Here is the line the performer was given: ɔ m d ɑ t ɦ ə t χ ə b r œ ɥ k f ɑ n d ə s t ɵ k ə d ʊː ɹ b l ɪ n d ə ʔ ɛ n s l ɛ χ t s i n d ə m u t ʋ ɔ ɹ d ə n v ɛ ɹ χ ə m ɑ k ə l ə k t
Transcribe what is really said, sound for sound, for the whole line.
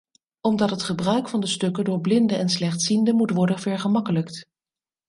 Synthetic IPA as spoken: ɔ m d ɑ t ɦ ə t χ ə b r œ ɥ k f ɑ n d ə s t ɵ k ə d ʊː ɹ b l ɪ n d ə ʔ ɛ n s l ɛ χ t s i n d ə m u t ʋ ɔ ɹ d ə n v ɛ ɹ χ ə m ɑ k ə l ə k t